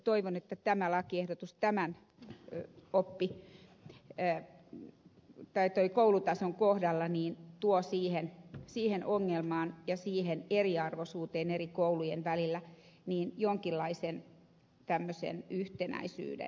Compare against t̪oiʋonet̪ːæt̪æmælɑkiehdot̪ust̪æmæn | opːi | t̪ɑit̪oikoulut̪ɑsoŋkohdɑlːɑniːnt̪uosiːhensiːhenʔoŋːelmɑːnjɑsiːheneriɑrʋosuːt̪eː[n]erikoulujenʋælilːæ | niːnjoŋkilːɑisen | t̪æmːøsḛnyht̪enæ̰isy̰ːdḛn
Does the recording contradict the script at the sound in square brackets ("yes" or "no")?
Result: no